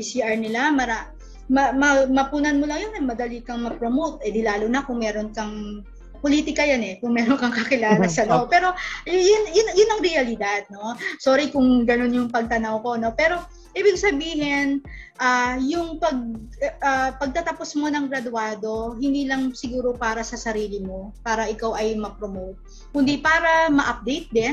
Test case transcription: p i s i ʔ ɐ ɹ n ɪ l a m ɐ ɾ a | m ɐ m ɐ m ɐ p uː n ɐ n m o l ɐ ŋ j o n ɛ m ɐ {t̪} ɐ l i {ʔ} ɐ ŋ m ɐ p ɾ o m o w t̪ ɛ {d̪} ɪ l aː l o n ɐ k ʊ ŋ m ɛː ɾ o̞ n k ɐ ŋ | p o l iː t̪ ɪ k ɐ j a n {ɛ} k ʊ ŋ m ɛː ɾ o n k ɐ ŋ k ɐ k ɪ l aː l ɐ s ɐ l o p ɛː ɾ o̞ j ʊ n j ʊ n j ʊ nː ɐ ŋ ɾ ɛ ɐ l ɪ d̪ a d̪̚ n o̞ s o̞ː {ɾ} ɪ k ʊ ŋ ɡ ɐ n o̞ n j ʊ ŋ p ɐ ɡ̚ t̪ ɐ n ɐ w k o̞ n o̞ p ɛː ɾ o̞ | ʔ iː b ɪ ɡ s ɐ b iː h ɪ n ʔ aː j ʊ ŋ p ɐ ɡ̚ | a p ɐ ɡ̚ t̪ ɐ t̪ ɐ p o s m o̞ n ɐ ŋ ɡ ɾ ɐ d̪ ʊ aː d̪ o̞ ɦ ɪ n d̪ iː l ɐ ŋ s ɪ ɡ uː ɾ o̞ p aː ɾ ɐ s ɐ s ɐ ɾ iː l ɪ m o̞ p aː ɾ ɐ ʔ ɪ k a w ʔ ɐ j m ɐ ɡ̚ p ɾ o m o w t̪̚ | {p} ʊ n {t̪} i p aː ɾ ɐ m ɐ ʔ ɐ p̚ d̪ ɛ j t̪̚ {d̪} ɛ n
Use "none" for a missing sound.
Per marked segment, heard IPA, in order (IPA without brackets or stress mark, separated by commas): d̪, k, d̪, ɛ, ɾ, k, d̪, d̪